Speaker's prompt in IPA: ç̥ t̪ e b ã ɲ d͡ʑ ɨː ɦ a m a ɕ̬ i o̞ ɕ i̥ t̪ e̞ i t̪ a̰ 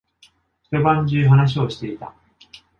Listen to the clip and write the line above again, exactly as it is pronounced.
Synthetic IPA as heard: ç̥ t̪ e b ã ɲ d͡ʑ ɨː ɦ a n a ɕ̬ i o̞ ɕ i̥ t̪ e̞ i t̪ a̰